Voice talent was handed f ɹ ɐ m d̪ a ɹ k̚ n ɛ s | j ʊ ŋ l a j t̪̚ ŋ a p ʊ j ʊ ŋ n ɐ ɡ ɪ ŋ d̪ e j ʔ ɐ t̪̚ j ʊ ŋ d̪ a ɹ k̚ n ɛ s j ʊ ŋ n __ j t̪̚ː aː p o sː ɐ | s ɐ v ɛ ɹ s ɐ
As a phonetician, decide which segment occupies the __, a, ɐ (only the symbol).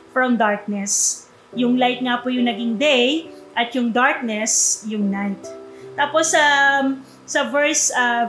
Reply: a